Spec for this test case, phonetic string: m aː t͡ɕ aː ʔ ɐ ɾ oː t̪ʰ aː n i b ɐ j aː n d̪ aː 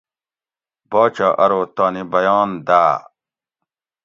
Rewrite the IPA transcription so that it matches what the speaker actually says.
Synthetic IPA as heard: b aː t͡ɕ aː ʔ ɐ ɾ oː t̪ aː n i b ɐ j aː n d̪ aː